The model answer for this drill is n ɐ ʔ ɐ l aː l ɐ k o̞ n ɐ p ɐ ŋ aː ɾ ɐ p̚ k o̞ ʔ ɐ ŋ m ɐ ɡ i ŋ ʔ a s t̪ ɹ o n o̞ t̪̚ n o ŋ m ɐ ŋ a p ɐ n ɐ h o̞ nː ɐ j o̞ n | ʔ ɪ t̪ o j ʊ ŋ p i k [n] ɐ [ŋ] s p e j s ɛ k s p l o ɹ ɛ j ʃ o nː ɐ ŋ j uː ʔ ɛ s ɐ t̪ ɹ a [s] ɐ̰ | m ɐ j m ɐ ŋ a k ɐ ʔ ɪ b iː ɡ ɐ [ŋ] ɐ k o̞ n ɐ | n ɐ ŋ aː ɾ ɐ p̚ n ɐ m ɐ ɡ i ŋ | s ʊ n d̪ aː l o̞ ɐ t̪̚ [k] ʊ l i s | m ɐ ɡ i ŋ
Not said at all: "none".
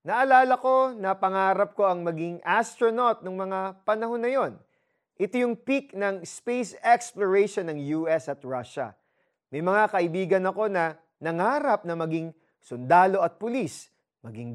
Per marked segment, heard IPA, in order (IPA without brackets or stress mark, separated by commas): n, ŋ, ʃ, n, p